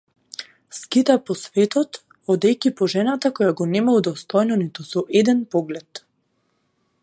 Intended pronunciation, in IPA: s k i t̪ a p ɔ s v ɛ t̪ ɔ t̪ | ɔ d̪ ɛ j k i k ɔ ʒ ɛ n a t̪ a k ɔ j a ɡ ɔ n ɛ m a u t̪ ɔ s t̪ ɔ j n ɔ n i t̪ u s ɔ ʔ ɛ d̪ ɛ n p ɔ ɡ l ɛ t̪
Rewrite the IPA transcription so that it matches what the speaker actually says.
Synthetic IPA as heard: s k i t̪ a p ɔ s v ɛ t̪ ɔ t̪ | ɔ d̪ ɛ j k i p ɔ ʒ ɛ n a t̪ a k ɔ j a ɡ ɔ n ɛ m a u d̪ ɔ s t̪ ɔ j n ɔ n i t̪ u s ɔ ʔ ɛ d̪ ɛ n p ɔ ɡ l ɛ t̪